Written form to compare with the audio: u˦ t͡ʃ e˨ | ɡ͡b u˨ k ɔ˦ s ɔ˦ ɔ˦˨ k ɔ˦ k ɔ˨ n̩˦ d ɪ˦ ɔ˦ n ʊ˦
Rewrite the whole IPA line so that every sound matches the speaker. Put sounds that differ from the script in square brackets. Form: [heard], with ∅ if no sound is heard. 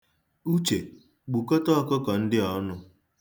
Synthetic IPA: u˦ t͡ʃ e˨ | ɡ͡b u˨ k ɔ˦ [t] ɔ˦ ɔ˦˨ k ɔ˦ k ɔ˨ n̩˦ d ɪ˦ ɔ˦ n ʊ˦